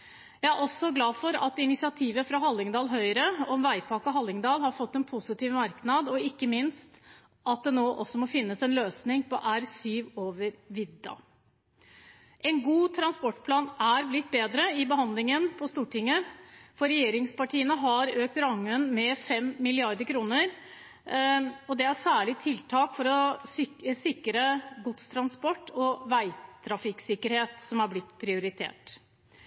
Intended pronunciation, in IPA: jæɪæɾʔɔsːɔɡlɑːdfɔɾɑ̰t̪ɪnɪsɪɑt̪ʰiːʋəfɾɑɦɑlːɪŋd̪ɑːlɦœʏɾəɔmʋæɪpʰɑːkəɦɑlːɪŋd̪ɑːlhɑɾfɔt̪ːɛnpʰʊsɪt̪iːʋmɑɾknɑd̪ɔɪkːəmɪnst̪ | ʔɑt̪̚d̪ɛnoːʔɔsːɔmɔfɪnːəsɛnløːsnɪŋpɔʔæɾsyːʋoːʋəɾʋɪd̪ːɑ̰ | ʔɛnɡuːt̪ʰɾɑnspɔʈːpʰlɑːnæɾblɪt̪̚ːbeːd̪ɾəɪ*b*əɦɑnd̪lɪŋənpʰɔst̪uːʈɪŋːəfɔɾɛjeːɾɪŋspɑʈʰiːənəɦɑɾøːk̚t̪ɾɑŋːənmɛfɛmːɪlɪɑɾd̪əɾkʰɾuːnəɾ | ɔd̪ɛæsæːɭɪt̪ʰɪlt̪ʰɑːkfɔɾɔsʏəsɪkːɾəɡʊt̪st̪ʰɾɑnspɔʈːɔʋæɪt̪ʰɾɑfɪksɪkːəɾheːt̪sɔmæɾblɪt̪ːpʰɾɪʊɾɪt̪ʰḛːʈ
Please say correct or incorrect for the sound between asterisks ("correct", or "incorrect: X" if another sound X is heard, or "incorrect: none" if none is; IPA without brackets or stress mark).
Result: correct